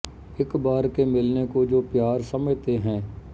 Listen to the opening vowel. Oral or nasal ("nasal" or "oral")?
oral